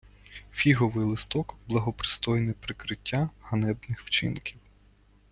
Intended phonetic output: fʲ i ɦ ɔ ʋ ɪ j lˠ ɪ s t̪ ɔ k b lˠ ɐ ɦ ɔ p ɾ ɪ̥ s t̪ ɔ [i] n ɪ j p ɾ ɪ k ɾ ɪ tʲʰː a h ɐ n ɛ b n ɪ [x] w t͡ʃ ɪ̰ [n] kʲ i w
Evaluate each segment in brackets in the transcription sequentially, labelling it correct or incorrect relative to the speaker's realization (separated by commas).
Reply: incorrect, correct, correct